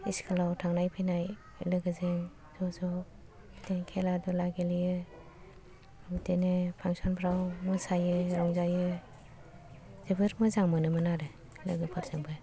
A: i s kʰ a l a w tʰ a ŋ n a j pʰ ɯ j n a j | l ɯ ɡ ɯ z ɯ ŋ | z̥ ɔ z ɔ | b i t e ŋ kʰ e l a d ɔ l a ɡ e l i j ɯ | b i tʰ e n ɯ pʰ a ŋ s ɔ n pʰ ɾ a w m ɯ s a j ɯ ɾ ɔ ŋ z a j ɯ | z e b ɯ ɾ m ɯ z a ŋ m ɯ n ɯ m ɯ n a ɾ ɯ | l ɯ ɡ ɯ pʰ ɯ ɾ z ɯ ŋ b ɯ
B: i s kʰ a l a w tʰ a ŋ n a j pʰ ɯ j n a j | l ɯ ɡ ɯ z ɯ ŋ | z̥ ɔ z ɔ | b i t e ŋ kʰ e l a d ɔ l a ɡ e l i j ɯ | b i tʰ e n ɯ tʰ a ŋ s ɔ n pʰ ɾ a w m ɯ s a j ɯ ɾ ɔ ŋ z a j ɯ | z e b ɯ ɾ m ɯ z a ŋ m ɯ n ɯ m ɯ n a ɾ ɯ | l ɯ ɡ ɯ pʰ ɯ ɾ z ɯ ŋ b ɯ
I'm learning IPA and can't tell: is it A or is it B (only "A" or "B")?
A